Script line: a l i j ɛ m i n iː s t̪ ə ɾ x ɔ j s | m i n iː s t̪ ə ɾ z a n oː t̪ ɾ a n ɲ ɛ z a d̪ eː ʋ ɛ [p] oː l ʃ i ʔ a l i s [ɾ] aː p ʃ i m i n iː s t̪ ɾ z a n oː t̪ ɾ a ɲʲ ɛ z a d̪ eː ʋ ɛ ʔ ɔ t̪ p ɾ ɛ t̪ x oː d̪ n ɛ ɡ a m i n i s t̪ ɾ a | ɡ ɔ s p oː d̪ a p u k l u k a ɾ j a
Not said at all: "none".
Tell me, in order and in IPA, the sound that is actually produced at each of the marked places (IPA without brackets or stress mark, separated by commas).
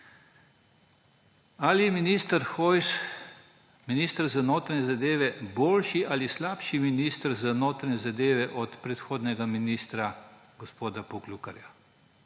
b, l